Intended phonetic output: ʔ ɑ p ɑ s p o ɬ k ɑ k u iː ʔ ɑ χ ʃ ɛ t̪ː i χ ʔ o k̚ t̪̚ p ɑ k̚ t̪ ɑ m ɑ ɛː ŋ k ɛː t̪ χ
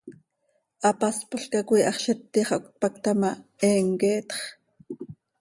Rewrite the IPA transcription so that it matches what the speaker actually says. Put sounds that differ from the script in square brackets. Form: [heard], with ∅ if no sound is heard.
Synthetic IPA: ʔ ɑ p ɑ s p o ɬ k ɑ k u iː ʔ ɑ χ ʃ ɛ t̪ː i χ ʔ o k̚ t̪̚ p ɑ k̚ t̪ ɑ m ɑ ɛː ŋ k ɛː t̪ χ